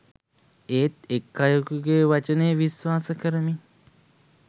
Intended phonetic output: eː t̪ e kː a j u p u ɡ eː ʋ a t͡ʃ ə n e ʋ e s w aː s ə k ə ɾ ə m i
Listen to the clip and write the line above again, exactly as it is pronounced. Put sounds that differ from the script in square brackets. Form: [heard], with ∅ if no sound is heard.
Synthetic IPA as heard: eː t̪ e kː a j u [k] u ɡ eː ʋ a t͡ʃ ə n e ʋ [i] s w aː s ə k ə ɾ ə m i